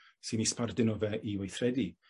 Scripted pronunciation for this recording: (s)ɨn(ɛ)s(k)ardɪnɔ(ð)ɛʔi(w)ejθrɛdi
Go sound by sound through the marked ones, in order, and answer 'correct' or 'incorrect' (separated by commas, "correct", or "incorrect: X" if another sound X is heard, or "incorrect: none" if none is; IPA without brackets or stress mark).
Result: correct, incorrect: i, incorrect: p, incorrect: v, correct